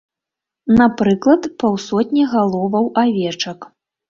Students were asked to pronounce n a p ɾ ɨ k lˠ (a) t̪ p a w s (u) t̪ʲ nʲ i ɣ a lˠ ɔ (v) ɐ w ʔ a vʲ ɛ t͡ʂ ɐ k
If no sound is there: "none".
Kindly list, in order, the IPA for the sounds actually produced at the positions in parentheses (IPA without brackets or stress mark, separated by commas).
ɐ, ɔ, v